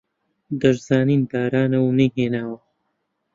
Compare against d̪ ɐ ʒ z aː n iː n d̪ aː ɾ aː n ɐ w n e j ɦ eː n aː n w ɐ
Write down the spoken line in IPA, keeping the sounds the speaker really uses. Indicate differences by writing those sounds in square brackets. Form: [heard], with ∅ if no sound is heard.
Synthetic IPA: d̪ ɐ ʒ z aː n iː n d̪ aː ɾ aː n ɐ w n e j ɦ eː n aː [∅] w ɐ